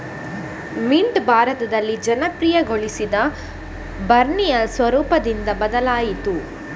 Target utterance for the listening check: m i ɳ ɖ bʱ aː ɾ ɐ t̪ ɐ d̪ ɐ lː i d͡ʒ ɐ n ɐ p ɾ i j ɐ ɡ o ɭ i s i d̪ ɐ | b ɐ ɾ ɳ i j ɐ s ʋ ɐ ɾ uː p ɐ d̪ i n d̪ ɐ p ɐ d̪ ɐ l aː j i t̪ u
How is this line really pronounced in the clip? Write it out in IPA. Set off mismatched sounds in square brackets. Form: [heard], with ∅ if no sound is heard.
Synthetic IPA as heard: m i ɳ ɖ bʱ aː ɾ ɐ t̪ ɐ d̪ ɐ lː i d͡ʒ ɐ n ɐ p ɾ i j ɐ ɡ o ɭ i s i d̪ ɐ | b ɐ ɾ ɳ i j ɐ s ʋ ɐ ɾ uː p ɐ d̪ i n d̪ ɐ [b] ɐ d̪ ɐ l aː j i t̪ u